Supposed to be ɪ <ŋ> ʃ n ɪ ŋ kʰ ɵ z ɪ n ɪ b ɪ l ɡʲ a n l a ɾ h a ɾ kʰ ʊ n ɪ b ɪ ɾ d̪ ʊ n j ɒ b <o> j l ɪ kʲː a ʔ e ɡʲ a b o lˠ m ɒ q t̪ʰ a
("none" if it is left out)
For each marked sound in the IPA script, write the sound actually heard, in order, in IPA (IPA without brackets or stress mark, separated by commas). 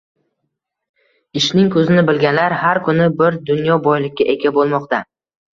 none, ɒ